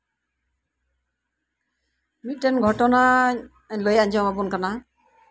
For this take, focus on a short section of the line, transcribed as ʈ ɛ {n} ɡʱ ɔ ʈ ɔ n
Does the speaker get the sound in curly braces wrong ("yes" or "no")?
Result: no